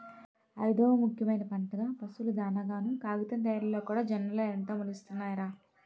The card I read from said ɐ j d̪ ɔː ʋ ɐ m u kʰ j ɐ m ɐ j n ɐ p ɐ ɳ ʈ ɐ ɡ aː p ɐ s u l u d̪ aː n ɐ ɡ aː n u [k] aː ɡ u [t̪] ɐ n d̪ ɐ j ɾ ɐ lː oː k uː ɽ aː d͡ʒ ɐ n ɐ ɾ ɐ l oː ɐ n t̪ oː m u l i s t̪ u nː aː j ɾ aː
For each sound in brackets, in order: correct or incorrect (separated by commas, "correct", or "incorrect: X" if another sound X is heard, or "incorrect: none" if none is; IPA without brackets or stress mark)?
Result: correct, correct